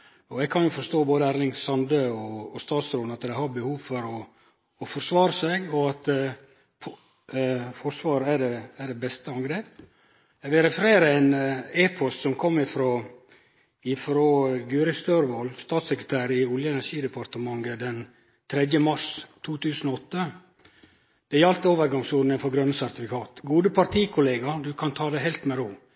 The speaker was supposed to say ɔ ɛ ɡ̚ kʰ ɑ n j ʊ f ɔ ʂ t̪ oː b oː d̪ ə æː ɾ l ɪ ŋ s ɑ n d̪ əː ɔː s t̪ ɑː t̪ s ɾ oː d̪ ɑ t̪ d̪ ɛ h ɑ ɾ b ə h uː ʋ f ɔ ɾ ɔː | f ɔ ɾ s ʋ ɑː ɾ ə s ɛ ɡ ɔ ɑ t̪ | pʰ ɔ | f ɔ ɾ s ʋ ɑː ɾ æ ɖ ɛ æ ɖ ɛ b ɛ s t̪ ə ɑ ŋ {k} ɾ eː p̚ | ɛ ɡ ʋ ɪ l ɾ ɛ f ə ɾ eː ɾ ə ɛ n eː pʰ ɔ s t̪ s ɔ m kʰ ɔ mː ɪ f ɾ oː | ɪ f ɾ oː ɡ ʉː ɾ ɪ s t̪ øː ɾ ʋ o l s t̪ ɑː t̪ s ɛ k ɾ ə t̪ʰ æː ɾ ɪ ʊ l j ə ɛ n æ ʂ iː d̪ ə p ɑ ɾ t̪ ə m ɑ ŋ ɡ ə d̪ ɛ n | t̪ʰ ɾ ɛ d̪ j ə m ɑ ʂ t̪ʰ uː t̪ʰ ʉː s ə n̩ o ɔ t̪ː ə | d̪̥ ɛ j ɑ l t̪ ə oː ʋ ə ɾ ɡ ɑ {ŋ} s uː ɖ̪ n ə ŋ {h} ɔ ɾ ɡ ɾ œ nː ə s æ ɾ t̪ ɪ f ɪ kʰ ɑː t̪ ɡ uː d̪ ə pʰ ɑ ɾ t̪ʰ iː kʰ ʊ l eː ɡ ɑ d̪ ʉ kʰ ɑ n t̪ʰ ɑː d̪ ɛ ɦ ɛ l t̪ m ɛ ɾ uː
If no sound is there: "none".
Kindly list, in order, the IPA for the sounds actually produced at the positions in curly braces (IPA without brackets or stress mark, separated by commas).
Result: ɡ, ŋ, f